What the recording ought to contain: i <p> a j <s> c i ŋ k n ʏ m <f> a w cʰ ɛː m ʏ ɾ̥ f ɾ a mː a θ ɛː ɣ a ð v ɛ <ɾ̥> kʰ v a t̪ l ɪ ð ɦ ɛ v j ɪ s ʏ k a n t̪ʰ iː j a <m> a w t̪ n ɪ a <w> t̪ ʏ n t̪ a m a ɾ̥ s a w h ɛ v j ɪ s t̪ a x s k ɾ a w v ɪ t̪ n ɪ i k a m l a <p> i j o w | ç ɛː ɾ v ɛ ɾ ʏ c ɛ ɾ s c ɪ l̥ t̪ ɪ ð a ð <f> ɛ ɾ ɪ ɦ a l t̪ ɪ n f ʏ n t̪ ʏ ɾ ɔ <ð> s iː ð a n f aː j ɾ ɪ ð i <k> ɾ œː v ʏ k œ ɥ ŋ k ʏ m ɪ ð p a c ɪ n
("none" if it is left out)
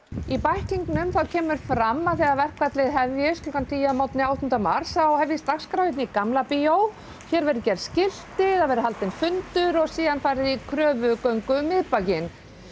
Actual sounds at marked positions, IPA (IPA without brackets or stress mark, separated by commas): p, h, θ, r̥, m, w, p, v, ɣ, kʰ